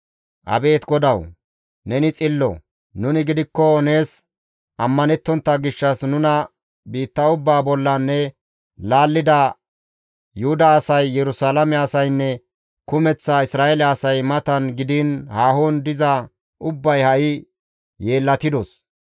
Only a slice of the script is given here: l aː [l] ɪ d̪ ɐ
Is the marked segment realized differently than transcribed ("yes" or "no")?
yes